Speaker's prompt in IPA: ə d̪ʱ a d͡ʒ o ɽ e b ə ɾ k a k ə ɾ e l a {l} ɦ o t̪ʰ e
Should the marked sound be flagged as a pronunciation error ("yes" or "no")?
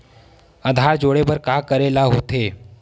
yes